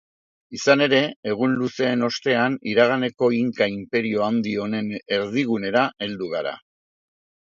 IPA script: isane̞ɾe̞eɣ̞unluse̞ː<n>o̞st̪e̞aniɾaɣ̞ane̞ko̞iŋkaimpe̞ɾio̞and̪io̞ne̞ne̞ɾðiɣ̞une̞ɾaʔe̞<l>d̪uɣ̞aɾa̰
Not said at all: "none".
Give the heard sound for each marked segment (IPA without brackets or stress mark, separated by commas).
n, l